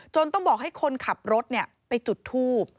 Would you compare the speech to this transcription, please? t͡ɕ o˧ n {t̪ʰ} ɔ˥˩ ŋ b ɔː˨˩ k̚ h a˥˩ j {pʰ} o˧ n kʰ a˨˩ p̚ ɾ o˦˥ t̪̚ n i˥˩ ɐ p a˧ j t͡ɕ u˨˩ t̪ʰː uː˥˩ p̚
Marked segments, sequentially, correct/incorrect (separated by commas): incorrect, incorrect